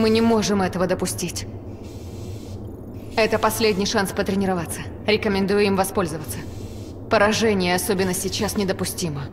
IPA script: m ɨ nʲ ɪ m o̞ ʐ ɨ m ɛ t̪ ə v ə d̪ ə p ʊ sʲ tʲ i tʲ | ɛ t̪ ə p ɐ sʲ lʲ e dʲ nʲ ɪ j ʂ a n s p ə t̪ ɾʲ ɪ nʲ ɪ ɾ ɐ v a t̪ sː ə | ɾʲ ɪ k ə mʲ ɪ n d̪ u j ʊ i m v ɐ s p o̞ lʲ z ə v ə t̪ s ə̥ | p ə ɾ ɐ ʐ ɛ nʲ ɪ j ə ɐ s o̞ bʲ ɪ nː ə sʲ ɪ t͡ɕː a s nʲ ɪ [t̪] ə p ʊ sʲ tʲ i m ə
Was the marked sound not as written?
yes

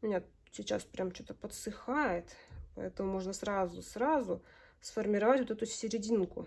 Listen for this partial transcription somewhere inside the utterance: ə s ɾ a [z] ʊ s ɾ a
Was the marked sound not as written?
no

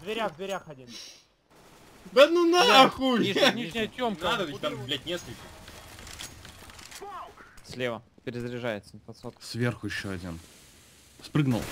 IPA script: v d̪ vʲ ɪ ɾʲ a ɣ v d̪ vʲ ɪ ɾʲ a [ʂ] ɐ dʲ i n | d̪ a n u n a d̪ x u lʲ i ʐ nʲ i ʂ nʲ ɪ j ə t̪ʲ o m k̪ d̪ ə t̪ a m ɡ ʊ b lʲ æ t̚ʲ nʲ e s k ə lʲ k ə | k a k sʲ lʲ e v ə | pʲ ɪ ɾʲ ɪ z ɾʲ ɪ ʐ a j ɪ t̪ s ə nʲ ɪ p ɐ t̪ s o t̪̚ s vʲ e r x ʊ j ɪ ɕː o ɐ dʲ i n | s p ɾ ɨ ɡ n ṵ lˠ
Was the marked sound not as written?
yes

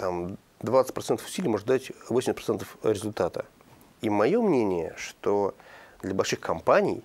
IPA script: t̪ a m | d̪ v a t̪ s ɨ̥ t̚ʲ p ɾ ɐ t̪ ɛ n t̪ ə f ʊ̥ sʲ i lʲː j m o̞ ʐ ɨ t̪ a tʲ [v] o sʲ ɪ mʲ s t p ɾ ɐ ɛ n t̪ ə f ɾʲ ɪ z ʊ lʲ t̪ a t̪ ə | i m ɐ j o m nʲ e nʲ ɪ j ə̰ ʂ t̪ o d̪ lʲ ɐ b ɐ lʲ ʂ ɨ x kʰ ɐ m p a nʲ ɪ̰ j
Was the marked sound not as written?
no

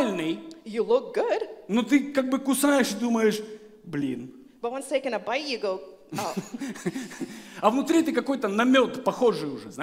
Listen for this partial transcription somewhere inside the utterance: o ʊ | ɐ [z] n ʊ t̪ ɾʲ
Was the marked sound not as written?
yes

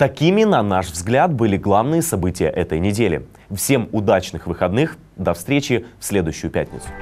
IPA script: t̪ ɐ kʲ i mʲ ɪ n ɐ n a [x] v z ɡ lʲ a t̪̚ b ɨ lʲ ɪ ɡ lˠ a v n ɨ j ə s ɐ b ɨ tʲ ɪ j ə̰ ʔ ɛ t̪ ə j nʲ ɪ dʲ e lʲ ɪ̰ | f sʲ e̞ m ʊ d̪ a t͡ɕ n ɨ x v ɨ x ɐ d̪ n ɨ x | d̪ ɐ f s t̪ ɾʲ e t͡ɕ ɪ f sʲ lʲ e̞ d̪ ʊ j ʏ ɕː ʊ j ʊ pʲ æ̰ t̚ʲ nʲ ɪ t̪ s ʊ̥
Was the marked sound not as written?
yes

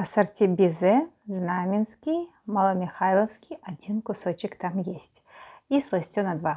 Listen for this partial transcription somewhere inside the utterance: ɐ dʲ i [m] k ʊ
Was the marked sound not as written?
yes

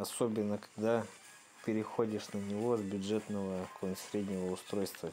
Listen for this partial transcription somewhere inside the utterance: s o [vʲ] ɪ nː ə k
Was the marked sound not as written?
yes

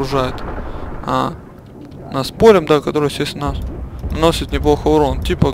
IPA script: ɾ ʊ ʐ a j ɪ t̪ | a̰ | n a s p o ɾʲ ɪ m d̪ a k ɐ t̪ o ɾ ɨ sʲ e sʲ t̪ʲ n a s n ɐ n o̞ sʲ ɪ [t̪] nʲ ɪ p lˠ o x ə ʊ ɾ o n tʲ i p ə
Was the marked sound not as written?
no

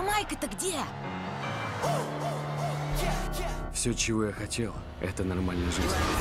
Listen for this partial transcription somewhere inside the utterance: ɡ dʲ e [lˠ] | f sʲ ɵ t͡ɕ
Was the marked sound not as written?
yes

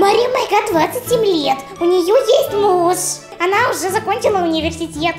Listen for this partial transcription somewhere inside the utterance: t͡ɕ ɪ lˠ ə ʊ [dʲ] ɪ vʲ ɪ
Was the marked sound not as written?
yes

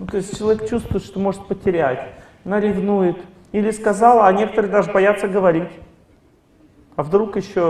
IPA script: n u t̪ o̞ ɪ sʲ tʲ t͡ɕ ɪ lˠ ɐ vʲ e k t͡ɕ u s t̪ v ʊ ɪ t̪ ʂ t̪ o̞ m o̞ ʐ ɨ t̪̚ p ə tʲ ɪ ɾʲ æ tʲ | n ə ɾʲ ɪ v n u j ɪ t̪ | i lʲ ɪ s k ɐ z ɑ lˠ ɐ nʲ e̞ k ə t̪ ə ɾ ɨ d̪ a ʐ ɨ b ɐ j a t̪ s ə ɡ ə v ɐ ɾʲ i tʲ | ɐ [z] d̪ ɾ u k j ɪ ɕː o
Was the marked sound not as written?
yes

